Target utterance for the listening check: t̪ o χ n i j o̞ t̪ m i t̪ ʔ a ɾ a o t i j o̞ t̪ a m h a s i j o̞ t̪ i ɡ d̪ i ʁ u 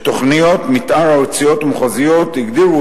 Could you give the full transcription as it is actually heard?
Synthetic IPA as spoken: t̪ o χ n i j o̞ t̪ m i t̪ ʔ a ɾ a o t͡s i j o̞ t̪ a m χ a z i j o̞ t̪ i ɡ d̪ i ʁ u